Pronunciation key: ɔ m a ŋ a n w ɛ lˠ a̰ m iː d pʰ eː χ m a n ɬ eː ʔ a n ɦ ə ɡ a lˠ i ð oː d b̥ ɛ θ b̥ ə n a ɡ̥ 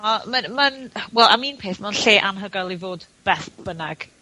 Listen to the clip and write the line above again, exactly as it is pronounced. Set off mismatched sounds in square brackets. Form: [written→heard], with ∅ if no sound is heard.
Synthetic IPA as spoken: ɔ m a [ŋ→m] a n w ɛ lˠ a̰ m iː [d→n] pʰ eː [χ→θ] m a n ɬ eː ʔ a n ɦ ə ɡ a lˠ i [ð→v] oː d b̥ ɛ θ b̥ ə n a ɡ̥